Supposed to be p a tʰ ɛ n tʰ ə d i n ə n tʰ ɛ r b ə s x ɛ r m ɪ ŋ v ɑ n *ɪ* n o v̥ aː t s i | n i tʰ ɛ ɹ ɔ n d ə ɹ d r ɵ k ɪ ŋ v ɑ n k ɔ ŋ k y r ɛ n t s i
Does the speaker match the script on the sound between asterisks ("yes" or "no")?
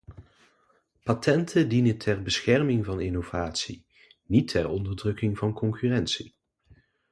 yes